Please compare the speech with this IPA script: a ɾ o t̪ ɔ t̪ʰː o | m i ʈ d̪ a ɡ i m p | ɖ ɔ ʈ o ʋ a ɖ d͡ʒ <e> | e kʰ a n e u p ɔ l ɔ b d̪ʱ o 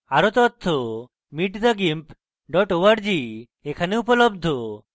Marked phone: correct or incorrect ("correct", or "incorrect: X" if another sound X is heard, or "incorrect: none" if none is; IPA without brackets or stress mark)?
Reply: incorrect: i